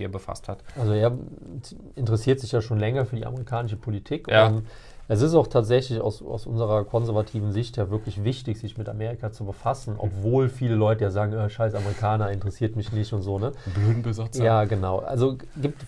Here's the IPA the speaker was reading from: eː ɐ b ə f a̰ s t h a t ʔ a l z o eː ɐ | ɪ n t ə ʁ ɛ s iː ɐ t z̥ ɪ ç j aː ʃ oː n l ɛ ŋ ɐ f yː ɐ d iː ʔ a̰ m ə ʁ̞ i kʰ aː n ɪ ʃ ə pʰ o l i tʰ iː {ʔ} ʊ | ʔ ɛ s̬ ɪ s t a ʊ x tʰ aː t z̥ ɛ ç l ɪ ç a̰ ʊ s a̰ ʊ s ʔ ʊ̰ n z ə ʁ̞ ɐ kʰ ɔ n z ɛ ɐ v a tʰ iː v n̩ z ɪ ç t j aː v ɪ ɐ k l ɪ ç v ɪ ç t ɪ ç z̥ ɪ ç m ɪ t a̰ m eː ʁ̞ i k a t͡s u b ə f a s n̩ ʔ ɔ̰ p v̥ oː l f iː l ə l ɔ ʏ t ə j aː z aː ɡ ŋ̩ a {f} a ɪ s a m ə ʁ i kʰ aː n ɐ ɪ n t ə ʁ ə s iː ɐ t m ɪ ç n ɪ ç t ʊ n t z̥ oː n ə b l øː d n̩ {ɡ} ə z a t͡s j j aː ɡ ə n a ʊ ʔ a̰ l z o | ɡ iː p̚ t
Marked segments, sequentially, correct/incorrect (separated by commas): incorrect, incorrect, incorrect